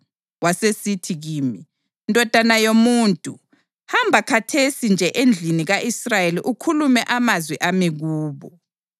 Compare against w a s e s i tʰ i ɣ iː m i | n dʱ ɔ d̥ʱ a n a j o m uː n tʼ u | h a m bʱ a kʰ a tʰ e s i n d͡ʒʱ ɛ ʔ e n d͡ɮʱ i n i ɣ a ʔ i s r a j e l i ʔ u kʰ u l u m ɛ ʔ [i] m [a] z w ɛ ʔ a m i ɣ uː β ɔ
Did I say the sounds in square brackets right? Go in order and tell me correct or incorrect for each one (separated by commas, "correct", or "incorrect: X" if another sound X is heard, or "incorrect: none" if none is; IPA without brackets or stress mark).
incorrect: a, correct